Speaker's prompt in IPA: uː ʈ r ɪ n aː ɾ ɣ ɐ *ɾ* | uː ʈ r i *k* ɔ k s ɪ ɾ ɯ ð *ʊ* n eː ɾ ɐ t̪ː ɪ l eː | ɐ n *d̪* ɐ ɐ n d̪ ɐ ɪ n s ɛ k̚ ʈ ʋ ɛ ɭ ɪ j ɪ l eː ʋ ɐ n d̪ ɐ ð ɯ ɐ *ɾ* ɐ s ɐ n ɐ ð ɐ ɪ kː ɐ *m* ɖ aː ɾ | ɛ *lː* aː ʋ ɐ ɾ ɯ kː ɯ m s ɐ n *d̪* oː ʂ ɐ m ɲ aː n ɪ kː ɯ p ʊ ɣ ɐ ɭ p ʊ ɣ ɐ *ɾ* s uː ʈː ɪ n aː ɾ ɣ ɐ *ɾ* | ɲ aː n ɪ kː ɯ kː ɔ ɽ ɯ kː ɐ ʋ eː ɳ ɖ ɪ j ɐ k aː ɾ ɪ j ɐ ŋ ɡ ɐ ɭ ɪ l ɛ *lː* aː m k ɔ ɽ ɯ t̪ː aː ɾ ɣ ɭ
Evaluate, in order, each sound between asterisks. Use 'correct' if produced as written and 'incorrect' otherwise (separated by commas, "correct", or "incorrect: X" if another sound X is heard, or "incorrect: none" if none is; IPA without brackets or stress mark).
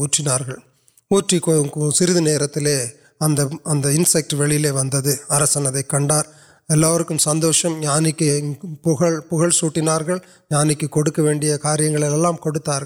incorrect: ɭ, correct, incorrect: ɯ, correct, correct, incorrect: ɳ, correct, correct, incorrect: ɭ, incorrect: ɭ, correct